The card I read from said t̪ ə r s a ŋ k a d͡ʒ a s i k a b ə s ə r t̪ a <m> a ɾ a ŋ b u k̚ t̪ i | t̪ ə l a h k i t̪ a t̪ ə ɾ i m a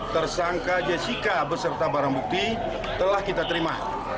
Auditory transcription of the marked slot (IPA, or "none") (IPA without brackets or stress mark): b